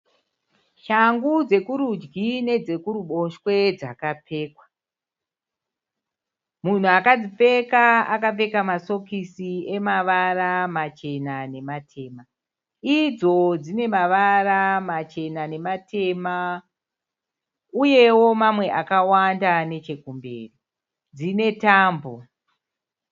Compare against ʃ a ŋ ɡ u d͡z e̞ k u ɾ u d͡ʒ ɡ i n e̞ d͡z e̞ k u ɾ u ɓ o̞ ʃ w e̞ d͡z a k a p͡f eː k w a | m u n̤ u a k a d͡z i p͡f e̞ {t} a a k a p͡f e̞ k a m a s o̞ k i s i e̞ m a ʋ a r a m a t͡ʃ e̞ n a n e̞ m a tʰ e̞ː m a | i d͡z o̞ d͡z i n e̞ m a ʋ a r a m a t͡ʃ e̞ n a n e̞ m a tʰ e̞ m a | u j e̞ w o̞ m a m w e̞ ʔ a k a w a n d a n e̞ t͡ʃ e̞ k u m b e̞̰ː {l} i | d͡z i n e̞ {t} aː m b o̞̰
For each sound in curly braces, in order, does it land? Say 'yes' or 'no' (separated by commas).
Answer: no, no, yes